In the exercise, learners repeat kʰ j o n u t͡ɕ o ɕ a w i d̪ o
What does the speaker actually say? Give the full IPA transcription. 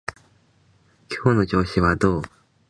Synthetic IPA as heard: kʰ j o n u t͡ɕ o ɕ i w a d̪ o